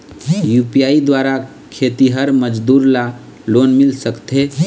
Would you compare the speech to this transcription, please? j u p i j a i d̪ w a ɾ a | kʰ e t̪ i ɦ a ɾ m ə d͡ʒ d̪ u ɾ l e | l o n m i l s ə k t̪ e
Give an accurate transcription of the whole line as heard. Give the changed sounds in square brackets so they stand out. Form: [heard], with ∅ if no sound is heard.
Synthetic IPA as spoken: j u p i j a i d̪ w a ɾ a | kʰ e t̪ i ɦ [ə] ɾ m ə d͡ʒ d̪ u ɾ l [a] | l o n m i l s ə k t̪ e